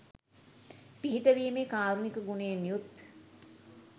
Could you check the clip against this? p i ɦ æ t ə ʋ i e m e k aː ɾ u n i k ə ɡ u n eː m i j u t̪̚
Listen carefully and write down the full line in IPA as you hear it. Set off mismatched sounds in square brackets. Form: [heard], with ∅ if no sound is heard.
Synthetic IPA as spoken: p i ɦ [i] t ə ʋ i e m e k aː ɾ u n i k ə ɡ u n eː m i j u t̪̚